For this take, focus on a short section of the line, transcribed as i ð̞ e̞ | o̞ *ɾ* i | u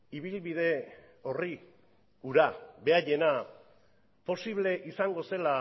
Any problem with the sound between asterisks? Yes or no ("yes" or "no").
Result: yes